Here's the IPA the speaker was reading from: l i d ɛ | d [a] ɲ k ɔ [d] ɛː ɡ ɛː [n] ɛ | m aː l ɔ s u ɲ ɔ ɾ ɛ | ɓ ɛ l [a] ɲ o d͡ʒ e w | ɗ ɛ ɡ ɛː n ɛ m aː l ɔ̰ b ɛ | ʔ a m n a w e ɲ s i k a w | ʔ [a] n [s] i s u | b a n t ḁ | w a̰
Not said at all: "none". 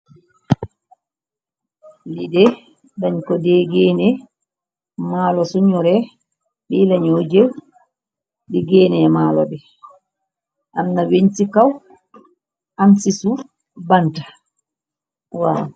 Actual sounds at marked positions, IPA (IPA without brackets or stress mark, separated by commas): a, d, n, a, a, s